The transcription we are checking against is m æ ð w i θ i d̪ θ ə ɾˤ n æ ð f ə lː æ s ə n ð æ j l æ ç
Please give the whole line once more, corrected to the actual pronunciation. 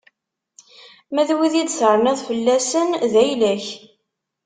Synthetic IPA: m æ ð w i ð i d̪ θ ə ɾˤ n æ ð f ə lː æ s ə n ð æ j l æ ç